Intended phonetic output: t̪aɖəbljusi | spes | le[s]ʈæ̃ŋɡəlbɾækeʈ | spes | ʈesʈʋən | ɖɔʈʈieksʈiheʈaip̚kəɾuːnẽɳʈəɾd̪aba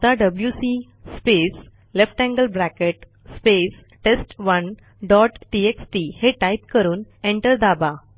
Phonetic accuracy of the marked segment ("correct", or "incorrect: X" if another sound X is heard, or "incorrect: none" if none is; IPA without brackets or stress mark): incorrect: f